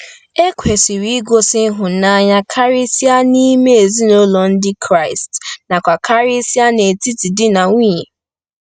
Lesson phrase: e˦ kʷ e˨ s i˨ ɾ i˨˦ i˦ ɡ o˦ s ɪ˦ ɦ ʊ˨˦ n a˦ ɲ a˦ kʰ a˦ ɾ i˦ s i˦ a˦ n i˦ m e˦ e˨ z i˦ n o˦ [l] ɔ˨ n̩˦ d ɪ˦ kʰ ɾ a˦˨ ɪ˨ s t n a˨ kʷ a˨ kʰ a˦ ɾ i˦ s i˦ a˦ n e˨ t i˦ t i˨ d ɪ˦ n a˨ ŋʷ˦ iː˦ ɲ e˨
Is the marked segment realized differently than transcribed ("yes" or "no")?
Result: no